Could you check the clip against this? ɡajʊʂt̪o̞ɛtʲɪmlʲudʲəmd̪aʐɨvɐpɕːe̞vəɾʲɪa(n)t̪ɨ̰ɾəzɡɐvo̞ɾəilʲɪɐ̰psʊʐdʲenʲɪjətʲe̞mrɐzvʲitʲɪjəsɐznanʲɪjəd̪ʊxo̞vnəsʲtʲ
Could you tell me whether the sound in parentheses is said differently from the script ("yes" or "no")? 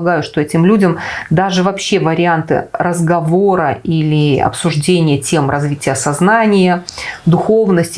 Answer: no